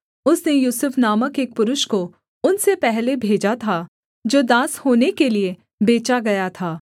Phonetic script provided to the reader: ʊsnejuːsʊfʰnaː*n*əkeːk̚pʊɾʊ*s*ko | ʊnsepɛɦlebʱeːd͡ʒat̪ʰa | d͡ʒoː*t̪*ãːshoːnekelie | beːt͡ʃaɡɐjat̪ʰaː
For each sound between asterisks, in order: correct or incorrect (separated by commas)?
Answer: incorrect, incorrect, incorrect